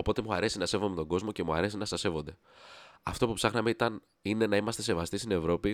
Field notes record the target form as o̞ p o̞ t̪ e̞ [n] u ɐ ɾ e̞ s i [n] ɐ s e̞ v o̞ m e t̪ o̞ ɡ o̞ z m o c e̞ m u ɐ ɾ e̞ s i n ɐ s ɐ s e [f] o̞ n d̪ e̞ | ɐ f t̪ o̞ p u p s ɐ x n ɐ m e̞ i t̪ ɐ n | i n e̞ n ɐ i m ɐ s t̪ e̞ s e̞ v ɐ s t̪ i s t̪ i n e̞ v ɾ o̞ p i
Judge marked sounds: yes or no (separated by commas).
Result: no, yes, no